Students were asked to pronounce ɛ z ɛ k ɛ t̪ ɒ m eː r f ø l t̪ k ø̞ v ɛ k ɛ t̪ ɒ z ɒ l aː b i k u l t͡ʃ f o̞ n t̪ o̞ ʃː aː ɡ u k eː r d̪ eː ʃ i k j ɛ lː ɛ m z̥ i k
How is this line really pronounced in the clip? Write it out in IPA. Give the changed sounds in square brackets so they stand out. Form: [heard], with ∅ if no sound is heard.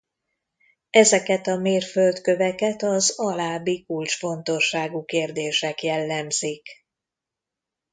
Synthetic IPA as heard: ɛ z ɛ k ɛ t̪ ɒ m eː r f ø l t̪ k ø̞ v ɛ k ɛ t̪ ɒ z ɒ l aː b i k u l t͡ʃ f o̞ n t̪ o̞ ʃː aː ɡ u k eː r d̪ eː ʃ [ɛ] k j ɛ lː ɛ m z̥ i k